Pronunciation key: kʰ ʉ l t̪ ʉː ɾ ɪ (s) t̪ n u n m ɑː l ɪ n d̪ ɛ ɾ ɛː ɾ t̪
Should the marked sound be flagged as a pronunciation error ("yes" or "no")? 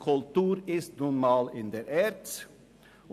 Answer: no